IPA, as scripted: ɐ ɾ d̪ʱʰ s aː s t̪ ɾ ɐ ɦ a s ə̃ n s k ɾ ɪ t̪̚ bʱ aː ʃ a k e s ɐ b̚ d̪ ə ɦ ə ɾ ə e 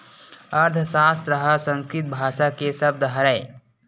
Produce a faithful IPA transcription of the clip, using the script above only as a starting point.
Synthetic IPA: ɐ ɾ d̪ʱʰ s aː s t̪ ɾ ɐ ɦ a s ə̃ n s k ɾ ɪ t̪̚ bʱ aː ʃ a k e s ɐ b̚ d̪ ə ɦ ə ɾ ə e